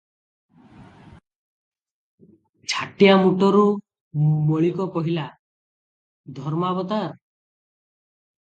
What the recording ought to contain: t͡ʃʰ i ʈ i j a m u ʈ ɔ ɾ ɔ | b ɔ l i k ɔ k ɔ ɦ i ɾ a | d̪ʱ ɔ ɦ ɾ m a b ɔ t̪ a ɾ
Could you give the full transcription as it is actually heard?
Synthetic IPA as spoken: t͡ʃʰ a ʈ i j a m u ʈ ɔ ɾ u | m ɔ ɭ i k ɔ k ɔ ɦ i l a | d̪ʱ ɔ ɾ m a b ɔ t̪ a ɾ